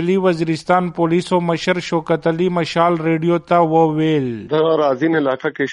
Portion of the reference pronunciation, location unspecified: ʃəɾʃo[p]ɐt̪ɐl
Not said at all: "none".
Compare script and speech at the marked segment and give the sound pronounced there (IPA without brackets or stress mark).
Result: k